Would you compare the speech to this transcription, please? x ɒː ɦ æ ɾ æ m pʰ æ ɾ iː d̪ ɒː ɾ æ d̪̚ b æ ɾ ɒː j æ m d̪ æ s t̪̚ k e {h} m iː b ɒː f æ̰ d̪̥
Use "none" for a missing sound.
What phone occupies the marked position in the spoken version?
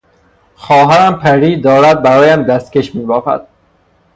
ʃ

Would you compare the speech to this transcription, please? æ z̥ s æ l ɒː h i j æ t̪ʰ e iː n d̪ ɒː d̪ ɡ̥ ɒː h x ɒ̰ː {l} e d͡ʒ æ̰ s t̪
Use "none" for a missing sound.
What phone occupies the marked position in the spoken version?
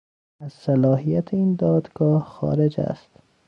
ɾ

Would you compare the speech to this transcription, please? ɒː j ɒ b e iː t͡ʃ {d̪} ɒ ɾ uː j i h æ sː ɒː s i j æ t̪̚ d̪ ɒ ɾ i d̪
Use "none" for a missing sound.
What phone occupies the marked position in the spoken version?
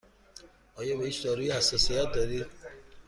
d̪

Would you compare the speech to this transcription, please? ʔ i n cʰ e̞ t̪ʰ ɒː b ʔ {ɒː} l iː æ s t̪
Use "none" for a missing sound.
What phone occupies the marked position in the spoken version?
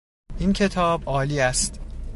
ɒː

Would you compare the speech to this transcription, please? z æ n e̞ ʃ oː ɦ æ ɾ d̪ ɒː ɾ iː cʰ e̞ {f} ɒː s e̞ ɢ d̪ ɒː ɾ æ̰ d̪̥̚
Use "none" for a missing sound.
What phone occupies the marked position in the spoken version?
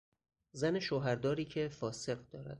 f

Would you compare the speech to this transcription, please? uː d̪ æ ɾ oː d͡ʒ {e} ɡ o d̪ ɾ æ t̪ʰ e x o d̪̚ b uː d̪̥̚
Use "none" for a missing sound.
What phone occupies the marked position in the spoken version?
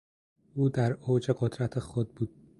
e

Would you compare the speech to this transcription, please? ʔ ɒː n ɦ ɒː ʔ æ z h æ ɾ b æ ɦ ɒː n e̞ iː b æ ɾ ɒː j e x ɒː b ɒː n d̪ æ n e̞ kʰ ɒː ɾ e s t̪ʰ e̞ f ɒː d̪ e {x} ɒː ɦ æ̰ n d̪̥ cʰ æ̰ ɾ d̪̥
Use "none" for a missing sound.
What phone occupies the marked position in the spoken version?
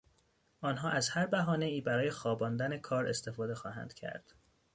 x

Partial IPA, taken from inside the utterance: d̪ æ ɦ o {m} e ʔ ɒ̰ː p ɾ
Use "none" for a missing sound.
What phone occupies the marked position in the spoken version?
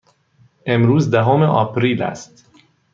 m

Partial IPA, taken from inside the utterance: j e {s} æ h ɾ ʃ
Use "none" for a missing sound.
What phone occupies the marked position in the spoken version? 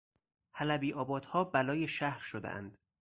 ʃ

